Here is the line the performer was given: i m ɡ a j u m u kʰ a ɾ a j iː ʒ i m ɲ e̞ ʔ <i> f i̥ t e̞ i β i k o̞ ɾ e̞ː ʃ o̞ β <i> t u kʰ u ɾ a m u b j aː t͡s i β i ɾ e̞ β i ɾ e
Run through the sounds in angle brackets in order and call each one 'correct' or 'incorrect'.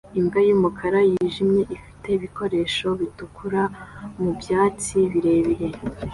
correct, correct

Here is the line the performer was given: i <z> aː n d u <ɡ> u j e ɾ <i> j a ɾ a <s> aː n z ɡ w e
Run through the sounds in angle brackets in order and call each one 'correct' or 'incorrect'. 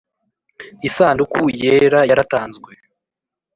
incorrect, incorrect, incorrect, incorrect

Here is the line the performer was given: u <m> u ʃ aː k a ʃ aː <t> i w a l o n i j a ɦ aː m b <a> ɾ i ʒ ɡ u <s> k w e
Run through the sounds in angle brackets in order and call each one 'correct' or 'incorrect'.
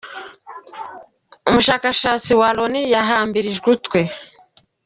correct, incorrect, incorrect, incorrect

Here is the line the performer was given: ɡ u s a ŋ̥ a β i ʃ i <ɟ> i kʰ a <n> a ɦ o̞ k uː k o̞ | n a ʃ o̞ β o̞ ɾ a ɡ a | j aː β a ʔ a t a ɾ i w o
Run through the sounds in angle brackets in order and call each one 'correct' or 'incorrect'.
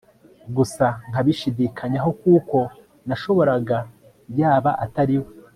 incorrect, incorrect

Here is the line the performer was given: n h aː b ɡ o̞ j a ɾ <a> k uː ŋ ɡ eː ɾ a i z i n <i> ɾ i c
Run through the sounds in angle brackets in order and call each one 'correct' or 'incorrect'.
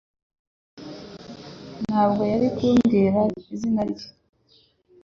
incorrect, incorrect

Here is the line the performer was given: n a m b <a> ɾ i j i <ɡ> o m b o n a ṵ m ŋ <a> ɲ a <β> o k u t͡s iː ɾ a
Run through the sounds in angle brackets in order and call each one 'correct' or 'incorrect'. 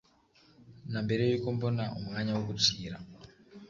incorrect, incorrect, correct, incorrect

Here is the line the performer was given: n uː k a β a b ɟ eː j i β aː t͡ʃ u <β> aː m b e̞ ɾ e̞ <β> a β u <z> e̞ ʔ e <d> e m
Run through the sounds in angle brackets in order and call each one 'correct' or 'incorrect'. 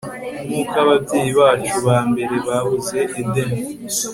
correct, correct, correct, correct

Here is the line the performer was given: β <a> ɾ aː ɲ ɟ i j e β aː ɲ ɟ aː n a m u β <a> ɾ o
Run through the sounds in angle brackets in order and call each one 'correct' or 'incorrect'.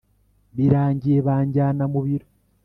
incorrect, incorrect

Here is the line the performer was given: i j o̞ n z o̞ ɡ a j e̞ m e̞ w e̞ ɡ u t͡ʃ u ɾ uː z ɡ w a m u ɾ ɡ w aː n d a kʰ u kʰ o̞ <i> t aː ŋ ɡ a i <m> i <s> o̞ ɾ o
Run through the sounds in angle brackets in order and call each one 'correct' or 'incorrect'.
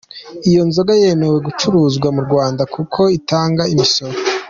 correct, correct, correct

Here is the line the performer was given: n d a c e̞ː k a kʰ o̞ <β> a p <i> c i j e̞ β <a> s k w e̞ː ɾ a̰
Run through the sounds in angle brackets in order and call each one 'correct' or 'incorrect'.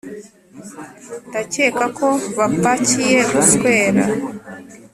correct, incorrect, correct

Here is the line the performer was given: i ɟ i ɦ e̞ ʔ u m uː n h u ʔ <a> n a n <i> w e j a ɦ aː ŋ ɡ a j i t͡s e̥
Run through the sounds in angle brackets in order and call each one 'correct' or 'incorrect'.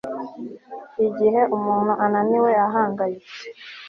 correct, correct

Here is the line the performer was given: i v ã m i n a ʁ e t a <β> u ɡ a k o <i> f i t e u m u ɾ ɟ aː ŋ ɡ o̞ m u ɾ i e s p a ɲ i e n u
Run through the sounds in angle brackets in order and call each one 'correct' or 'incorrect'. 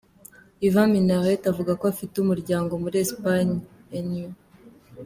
incorrect, incorrect

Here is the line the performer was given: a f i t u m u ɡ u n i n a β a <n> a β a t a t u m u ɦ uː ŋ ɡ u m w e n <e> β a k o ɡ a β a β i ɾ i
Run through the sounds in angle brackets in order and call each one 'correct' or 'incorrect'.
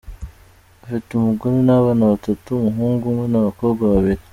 correct, incorrect

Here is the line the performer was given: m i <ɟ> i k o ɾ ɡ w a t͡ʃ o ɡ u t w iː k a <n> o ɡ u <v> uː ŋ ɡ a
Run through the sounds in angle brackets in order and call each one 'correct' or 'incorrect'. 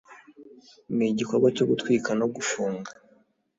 correct, correct, incorrect

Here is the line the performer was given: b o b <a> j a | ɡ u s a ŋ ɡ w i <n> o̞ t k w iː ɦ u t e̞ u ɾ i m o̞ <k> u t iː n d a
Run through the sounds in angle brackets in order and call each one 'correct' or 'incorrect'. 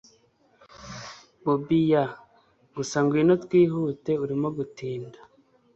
incorrect, correct, incorrect

